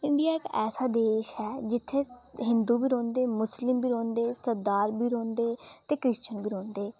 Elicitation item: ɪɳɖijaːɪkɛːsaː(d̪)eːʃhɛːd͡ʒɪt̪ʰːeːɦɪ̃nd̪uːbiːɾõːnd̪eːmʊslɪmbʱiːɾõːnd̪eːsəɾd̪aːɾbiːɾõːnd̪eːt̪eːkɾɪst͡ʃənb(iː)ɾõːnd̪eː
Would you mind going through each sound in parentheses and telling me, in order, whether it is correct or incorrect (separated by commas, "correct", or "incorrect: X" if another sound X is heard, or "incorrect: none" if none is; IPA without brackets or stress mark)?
correct, correct